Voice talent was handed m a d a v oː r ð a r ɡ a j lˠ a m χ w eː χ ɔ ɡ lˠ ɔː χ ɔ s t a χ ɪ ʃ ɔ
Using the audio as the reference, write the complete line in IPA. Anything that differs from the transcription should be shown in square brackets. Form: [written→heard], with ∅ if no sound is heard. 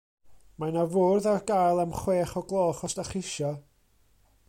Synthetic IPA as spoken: m a [d→n] a v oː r ð a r ɡ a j lˠ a m χ w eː χ ɔ ɡ lˠ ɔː χ ɔ s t a χ ɪ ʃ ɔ